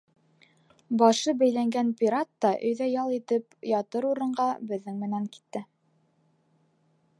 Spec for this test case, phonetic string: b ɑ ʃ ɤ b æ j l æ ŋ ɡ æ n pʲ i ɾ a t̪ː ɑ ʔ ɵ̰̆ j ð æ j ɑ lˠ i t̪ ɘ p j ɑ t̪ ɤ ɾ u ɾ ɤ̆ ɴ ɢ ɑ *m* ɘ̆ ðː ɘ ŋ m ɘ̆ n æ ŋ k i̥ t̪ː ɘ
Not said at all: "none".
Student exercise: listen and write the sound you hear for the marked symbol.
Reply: b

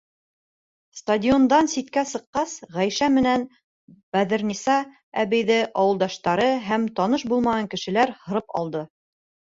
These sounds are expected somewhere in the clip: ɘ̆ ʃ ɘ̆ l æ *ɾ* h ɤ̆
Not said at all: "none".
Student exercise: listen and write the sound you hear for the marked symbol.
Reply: ɾ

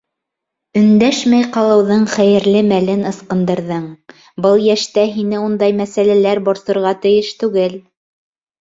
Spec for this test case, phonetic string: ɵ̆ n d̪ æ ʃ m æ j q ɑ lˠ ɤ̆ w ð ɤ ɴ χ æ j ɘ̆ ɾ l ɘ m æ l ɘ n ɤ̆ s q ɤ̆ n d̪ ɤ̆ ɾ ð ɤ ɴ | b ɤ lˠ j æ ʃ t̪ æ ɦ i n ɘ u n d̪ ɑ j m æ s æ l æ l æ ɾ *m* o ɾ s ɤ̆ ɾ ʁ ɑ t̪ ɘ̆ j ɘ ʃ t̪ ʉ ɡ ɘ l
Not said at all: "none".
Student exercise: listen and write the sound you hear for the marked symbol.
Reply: b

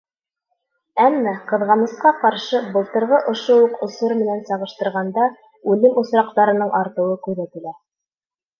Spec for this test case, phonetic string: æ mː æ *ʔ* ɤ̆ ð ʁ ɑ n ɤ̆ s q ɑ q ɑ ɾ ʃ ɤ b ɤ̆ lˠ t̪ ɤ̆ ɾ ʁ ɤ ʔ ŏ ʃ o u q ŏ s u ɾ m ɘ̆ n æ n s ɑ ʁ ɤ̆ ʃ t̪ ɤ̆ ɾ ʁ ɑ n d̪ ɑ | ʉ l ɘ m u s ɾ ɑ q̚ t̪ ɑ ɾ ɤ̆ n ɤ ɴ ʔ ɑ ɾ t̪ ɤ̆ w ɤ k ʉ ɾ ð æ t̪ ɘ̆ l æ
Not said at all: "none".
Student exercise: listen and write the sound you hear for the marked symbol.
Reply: q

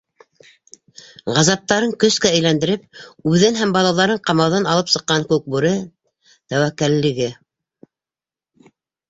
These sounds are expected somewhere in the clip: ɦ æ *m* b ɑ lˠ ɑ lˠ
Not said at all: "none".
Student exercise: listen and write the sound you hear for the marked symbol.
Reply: m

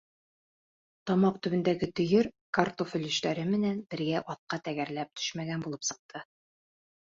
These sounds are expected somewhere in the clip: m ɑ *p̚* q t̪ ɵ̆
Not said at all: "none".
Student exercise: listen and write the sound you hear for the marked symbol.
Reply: none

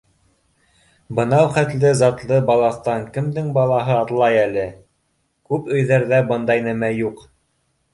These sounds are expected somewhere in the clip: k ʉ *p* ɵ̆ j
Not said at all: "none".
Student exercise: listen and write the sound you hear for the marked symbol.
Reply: p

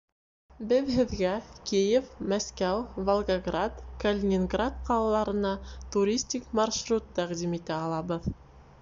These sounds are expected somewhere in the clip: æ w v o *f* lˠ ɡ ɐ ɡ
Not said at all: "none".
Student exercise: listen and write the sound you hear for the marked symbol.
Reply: none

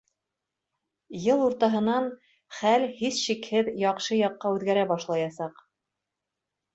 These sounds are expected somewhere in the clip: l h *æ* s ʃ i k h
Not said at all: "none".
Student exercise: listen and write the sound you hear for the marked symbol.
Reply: i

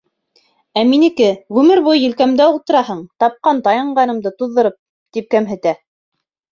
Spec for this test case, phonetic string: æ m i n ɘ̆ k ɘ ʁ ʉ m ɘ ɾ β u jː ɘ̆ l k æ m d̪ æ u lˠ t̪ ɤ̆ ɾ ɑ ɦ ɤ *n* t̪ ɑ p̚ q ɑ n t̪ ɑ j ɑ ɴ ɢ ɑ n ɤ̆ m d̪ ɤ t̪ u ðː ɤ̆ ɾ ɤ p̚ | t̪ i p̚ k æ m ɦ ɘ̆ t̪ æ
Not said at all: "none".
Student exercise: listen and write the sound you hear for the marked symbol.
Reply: ɴ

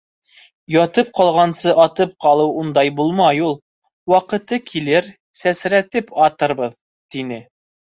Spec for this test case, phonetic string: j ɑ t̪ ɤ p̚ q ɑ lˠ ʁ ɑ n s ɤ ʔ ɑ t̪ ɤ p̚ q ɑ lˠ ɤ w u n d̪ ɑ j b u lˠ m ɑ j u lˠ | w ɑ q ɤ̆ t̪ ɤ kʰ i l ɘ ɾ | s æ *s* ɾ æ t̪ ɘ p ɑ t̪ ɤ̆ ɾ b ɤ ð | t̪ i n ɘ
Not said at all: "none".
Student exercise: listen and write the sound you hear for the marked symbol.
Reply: s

